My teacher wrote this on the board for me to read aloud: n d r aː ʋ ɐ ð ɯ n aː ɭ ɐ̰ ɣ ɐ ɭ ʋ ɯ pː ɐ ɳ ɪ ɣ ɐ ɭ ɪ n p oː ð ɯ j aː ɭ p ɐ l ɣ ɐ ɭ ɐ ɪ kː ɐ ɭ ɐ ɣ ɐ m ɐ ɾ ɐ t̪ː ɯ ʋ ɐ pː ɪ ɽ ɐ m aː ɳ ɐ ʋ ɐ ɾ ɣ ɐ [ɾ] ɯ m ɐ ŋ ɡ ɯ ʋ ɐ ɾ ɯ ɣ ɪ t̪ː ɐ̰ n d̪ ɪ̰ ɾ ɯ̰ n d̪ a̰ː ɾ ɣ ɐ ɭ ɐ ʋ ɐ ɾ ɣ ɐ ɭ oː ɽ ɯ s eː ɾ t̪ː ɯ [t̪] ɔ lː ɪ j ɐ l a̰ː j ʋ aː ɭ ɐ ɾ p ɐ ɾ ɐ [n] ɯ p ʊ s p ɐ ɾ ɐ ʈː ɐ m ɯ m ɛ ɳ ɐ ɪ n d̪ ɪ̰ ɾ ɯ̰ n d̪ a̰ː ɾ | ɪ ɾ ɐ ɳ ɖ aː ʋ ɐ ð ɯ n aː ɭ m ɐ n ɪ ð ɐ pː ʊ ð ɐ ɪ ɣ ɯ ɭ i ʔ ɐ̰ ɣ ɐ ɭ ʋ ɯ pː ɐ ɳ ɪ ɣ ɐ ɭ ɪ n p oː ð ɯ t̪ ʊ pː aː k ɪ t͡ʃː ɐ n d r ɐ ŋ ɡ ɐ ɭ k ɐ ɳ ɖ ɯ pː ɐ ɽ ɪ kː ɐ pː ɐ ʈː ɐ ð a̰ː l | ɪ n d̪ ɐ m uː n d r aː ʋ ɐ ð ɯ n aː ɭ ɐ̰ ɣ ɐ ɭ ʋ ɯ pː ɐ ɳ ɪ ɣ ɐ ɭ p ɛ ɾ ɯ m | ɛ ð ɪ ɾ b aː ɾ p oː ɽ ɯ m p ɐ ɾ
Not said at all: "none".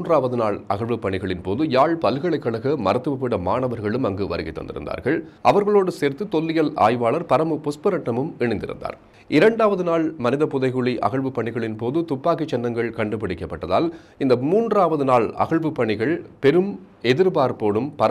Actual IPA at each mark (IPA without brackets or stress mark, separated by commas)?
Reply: ɭ, t̪, m